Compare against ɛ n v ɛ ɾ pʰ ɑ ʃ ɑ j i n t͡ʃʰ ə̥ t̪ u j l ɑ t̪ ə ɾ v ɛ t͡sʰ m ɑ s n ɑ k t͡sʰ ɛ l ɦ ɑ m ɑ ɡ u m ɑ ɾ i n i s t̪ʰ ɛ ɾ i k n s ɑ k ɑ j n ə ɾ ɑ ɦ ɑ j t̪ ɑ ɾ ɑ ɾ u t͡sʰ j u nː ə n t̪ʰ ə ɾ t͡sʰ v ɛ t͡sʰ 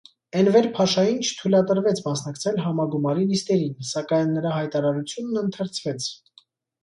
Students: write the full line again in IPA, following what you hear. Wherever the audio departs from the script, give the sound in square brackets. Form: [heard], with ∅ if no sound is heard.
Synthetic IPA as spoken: ɛ n v ɛ ɾ pʰ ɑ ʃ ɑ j i n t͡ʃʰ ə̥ [t̪ʰ] u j l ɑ t̪ ə ɾ v ɛ t͡sʰ m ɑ s n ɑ k t͡sʰ ɛ l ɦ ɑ m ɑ ɡ u m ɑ ɾ i n i s [t̪] ɛ ɾ i [∅] n s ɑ k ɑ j [nː] ə ɾ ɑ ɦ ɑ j t̪ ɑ ɾ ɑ ɾ u t͡sʰ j u nː ə n t̪ʰ ə ɾ t͡sʰ v ɛ t͡sʰ